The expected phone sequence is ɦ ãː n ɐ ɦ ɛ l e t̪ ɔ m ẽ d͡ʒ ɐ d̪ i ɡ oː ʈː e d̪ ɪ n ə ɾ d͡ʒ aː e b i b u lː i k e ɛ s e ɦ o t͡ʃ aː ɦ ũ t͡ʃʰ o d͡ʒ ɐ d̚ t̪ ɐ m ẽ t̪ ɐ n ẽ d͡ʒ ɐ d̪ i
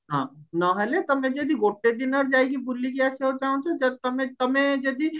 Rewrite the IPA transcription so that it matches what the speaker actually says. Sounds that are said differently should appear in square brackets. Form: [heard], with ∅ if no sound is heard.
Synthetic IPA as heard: ɦ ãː n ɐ ɦ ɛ l e t̪ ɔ m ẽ d͡ʒ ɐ d̪ i ɡ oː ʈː e d̪ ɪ n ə ɾ d͡ʒ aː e [ɡ] i b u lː i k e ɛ s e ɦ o t͡ʃ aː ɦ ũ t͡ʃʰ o d͡ʒ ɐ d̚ t̪ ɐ m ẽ t̪ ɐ [m] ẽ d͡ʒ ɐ d̪ i